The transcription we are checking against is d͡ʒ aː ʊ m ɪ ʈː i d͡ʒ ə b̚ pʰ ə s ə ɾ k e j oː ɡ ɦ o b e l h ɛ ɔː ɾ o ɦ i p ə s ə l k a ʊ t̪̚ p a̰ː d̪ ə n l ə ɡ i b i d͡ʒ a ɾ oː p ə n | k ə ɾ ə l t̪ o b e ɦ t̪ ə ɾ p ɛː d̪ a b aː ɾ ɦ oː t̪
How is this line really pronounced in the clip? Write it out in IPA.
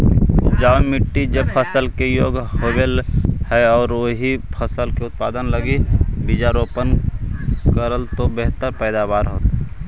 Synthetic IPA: d͡ʒ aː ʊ m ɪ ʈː i d͡ʒ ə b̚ pʰ ə s ə l k e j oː ɡ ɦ o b e l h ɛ ɔː ɾ o ɦ i pʰ ə s ə l k e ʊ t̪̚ p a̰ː d̪ ə n l ə ɡ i b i d͡ʒ a ɾ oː p ə n | k ə ɾ ə l t̪ o b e ɦ t̪ ə ɾ p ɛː d̪ a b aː ɾ ɦ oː t̪